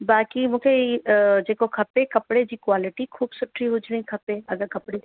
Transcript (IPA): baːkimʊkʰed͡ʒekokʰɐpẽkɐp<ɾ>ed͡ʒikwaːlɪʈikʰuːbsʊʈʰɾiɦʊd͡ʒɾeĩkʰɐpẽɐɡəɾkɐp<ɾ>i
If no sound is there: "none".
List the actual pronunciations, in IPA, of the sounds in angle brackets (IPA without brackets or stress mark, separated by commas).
ɽ, ɽ